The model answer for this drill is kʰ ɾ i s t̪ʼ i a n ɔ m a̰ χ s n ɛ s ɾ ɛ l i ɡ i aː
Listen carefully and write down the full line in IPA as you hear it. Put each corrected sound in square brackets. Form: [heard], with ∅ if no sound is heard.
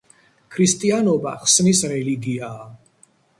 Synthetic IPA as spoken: kʰ ɾ i s t̪ʼ i a n ɔ [b] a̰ χ s n [i] s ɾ ɛ l i ɡ i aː